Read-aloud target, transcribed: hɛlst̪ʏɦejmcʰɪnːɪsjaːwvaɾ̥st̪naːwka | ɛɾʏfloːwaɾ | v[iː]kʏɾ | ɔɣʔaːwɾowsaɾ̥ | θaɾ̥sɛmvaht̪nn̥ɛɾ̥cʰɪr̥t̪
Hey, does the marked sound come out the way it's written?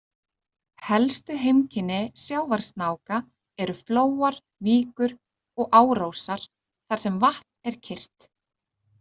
yes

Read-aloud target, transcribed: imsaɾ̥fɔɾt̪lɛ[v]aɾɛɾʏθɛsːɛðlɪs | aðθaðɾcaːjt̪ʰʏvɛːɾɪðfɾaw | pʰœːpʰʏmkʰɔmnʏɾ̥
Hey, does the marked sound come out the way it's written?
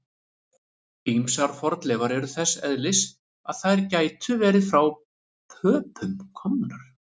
yes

